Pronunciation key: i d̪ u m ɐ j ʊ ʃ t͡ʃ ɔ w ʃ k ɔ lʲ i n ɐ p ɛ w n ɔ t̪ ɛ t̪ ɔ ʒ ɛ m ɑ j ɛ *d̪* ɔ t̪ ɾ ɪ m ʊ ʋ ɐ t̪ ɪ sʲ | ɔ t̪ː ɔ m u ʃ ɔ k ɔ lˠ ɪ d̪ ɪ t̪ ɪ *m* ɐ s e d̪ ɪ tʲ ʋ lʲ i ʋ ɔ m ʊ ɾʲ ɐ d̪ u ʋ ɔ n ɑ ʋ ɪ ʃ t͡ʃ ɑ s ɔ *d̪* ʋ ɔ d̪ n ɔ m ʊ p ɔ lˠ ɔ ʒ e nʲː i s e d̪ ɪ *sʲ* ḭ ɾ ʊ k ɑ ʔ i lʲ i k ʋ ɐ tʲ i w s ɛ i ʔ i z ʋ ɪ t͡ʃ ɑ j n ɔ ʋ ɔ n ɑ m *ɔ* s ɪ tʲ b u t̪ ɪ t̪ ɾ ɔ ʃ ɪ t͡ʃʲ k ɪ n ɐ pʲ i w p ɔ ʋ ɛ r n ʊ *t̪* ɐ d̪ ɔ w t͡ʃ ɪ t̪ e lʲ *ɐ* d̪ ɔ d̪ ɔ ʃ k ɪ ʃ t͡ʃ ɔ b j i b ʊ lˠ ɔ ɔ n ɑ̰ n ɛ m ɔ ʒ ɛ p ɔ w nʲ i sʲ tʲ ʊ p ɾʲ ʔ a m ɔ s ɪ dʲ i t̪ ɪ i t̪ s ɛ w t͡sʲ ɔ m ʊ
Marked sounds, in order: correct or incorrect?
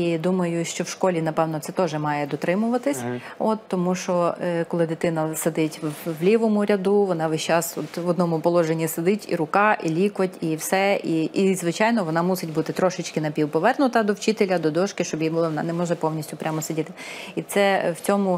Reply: correct, incorrect: n, incorrect: t̪, incorrect: tʲ, incorrect: u, correct, correct

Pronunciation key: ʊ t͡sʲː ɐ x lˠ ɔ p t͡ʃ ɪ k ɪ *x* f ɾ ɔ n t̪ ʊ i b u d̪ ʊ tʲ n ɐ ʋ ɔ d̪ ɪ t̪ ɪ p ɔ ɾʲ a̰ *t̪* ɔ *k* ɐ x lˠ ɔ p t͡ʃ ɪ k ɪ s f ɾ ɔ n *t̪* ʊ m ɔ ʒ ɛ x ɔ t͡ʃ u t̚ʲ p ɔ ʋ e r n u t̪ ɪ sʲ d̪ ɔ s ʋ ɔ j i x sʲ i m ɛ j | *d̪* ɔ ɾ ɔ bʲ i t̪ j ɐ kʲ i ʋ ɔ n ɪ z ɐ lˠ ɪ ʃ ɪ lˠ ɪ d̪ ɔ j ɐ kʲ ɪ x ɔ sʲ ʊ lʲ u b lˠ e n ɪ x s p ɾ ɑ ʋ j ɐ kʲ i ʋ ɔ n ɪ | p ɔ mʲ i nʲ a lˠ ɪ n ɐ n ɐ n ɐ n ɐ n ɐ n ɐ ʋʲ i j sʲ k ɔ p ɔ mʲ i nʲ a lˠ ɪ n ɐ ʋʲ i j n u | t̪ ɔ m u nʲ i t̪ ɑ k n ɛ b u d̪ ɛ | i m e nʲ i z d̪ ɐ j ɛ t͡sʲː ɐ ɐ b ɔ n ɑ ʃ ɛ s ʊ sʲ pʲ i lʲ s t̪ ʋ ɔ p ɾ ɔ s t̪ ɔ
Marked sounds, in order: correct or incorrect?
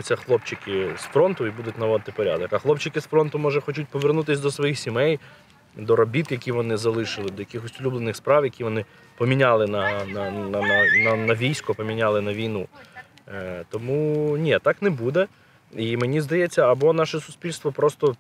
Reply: incorrect: s, incorrect: d̪, correct, correct, correct

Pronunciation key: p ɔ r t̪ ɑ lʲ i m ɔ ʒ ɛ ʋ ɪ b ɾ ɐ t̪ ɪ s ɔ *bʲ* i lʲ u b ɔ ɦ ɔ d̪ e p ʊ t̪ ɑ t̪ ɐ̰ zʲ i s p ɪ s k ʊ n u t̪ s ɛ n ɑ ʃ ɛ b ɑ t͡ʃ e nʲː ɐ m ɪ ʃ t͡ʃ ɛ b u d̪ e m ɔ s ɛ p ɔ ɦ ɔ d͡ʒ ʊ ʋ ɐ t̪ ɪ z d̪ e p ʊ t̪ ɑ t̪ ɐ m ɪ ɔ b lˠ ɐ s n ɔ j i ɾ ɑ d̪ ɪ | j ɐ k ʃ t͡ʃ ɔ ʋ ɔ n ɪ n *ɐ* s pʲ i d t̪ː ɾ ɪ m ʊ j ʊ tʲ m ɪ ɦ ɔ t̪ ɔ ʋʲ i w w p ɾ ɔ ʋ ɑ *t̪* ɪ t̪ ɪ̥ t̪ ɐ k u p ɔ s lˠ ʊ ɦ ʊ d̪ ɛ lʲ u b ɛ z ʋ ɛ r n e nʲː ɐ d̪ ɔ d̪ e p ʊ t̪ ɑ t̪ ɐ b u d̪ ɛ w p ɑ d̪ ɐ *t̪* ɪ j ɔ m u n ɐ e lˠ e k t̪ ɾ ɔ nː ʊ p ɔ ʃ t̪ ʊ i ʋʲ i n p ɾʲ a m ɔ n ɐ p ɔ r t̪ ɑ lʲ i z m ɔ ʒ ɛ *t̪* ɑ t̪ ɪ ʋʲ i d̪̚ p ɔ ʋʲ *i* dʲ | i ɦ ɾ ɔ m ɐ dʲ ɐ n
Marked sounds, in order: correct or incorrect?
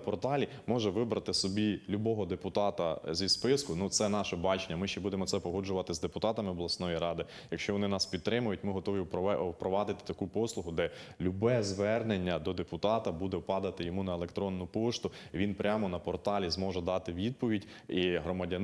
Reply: correct, incorrect: ɑ, incorrect: d̪, correct, incorrect: d̪, correct

